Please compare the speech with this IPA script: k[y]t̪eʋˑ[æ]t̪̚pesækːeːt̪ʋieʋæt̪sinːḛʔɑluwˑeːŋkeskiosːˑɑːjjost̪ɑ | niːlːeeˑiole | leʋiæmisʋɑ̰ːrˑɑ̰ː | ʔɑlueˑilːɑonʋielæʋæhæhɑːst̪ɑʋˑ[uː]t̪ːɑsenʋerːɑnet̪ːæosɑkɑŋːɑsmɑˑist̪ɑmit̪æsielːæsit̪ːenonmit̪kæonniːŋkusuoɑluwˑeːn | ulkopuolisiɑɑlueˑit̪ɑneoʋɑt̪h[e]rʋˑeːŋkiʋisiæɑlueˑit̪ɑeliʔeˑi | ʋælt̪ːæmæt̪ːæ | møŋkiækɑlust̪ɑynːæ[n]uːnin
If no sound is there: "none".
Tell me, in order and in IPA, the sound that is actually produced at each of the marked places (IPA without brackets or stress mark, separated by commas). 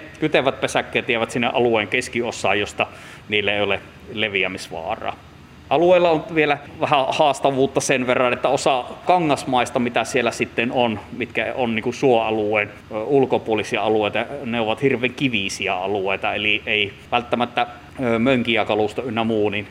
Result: y, æ, uː, i, m